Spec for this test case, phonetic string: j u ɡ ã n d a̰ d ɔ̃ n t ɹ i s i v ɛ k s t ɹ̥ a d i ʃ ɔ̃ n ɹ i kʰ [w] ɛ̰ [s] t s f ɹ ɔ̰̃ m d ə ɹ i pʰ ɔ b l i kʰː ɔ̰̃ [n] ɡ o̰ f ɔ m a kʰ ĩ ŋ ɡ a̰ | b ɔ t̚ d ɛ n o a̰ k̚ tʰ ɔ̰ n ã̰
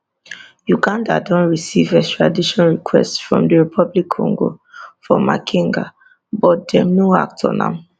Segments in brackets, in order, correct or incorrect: correct, correct, incorrect: ŋ

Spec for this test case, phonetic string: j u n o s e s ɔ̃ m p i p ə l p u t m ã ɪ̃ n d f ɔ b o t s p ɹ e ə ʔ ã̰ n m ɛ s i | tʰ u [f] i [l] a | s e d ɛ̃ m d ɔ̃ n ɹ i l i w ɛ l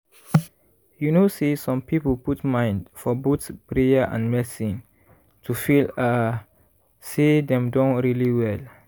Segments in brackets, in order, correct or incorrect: correct, correct

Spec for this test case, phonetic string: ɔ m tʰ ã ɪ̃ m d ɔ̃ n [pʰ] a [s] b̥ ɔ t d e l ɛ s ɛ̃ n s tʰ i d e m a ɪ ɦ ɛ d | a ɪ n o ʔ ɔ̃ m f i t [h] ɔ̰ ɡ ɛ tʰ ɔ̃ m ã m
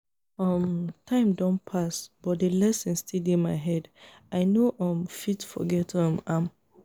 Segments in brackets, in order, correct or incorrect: correct, correct, incorrect: f

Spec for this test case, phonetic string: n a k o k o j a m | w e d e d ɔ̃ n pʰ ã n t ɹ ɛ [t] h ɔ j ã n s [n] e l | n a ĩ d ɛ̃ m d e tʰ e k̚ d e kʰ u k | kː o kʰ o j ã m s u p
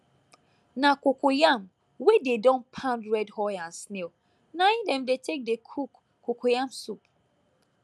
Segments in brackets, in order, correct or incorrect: incorrect: d, correct

